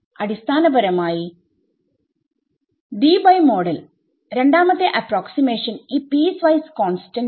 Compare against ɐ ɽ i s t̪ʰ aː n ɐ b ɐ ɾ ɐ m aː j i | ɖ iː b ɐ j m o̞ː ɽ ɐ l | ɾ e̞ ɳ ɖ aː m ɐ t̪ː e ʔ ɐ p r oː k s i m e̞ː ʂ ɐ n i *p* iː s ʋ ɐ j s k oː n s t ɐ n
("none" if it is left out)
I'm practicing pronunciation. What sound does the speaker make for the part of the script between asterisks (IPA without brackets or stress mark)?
p